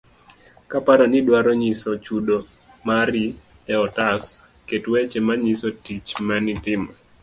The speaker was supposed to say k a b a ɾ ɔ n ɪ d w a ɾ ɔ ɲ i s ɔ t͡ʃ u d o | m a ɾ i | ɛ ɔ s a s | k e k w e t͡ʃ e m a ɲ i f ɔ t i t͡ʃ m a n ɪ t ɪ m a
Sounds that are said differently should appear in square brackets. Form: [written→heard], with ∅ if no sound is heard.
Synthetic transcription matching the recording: k a [b→p] a ɾ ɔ n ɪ d w a ɾ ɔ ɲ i s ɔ t͡ʃ u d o | m a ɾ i | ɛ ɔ [s→t] a s | k e [k→t] w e t͡ʃ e m a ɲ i [f→s] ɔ t i t͡ʃ m a n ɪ t ɪ m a